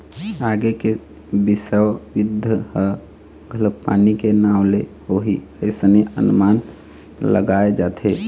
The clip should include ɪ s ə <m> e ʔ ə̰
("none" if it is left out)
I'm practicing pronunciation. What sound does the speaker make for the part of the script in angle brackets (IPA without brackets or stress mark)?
n